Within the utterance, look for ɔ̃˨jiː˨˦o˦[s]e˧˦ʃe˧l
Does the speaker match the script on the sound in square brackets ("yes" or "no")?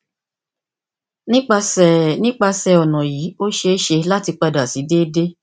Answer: no